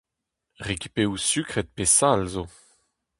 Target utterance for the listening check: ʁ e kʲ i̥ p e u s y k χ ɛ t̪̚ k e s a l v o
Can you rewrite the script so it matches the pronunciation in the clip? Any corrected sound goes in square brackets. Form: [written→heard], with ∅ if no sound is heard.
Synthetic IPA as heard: ʁ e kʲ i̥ p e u s y k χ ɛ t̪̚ [k→p] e s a l [v→z] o